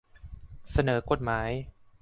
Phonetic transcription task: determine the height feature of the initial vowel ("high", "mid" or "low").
low